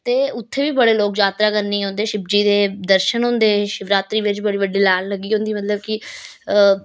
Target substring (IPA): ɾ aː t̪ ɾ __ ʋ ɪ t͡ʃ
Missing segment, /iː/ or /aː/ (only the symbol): iː